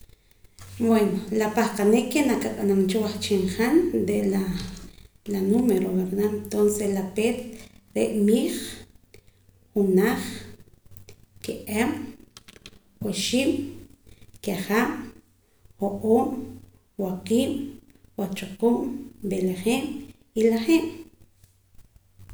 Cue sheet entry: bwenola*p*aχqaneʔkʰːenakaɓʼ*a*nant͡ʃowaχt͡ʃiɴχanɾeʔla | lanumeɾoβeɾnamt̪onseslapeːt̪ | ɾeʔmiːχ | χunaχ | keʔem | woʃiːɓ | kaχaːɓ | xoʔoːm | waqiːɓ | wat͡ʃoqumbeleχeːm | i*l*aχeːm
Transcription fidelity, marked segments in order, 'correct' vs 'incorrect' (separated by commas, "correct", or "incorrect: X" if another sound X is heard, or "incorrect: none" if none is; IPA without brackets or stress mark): correct, correct, correct